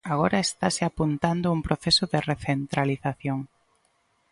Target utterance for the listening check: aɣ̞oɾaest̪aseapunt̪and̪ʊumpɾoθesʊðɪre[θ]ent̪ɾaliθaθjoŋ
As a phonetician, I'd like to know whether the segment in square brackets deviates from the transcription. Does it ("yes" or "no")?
no